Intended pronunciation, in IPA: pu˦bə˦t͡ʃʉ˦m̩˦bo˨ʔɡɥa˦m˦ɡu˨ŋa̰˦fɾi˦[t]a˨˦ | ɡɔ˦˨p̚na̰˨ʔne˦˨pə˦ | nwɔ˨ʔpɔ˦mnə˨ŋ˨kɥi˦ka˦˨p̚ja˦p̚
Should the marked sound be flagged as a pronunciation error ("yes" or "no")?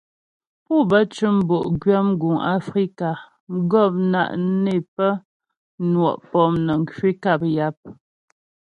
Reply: yes